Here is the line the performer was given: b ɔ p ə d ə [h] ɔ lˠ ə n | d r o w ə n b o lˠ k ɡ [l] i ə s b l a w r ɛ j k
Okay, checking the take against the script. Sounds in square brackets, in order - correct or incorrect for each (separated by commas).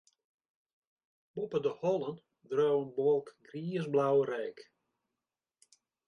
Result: correct, incorrect